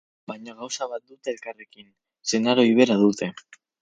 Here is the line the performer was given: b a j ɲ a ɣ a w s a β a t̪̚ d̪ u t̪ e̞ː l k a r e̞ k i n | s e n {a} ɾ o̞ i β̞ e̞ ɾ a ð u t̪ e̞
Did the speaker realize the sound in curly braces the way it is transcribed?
yes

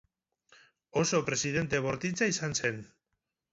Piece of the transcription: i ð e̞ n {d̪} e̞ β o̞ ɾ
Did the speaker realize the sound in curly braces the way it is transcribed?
no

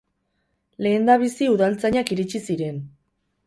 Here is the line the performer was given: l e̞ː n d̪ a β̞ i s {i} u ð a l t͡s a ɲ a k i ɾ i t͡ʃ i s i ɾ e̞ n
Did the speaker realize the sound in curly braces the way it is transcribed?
yes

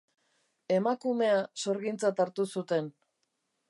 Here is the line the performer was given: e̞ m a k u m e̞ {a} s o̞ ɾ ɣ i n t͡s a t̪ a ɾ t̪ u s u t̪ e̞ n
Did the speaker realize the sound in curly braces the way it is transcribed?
yes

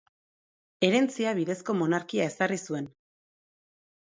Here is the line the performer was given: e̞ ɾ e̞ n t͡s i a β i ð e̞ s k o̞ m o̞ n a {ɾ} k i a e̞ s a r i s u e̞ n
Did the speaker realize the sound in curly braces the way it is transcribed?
yes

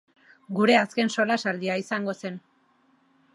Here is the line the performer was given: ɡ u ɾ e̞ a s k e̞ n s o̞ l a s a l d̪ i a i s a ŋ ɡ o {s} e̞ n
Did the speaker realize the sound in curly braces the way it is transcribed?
yes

